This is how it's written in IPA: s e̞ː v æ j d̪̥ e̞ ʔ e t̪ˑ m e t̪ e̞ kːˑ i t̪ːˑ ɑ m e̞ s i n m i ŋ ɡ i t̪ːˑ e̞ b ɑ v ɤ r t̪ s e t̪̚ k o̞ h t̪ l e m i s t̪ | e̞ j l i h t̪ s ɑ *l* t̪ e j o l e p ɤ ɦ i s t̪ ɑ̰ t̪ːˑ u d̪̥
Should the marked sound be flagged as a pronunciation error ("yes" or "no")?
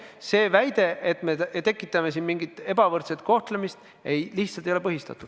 no